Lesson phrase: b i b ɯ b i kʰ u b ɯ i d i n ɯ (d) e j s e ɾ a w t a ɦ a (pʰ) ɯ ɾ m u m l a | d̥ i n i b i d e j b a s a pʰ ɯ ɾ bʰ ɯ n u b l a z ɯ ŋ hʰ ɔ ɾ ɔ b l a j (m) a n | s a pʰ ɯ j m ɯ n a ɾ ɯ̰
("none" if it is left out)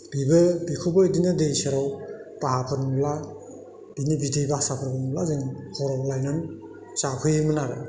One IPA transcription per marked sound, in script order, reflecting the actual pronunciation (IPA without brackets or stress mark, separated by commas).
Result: d, pʰ, n